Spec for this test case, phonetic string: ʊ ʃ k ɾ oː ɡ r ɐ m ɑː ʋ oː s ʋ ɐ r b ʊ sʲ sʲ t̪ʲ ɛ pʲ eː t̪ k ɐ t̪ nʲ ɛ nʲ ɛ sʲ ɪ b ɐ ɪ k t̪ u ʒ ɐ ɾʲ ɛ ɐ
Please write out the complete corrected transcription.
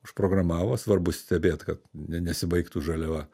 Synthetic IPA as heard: ʊ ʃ p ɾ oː ɡ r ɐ m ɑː ʋ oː s ʋ ɐ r b ʊ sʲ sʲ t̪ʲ ɛ bʲ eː t̪ k ɐ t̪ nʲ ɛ nʲ ɛ sʲ ɪ b ɐ ɪ k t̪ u ʒ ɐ lʲ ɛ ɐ